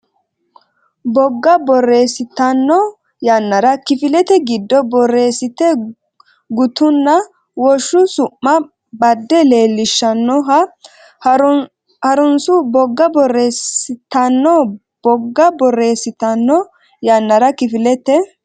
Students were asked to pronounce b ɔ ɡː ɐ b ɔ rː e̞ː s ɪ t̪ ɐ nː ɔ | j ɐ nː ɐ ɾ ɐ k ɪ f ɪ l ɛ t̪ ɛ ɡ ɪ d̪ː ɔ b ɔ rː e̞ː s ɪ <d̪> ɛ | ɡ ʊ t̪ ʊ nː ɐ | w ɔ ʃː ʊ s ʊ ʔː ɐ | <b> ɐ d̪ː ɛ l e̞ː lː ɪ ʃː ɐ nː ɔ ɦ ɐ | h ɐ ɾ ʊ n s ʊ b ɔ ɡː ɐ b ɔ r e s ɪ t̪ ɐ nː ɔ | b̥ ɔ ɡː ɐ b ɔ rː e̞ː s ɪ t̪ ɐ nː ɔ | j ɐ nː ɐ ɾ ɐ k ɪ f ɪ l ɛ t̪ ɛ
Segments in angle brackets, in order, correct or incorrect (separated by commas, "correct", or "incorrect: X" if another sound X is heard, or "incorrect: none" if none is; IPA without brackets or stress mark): incorrect: t̪, correct